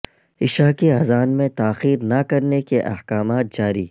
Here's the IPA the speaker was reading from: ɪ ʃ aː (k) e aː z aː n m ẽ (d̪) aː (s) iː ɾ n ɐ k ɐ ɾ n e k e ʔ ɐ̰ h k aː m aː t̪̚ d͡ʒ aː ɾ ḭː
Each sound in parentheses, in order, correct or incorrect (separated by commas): correct, incorrect, incorrect